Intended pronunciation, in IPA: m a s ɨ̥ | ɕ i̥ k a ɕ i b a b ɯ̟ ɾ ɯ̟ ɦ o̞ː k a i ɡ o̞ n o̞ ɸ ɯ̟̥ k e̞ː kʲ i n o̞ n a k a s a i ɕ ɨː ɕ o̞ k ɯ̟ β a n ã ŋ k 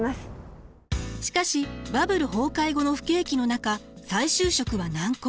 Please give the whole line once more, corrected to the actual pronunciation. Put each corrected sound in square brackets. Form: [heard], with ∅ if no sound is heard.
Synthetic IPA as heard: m a s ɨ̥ | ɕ i̥ k a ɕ i b a b ɯ̟ ɾ ɯ̟ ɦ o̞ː k a i ɡ o̞ n o̞ ɸ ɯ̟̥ k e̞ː kʲ i n o̞ n a k a s a i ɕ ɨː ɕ o̞ k ɯ̟ β a n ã ŋ k